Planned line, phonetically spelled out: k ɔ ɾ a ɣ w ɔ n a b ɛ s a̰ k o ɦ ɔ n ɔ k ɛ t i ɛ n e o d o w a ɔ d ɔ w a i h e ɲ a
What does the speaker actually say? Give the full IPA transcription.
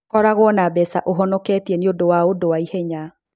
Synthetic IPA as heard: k ɔ ɾ a ɣ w ɔ n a b ɛ s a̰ ʔ o ɦ ɔ n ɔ k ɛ t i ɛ n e o d o w a o d o w a i h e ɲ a